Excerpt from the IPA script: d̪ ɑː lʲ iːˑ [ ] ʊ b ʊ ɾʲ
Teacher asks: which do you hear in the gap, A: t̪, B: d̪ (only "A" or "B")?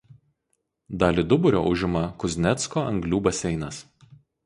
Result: B